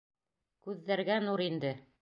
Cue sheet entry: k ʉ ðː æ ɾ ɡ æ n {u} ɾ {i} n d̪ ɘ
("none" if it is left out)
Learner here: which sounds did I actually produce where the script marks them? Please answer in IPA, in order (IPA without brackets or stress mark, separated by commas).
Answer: u, i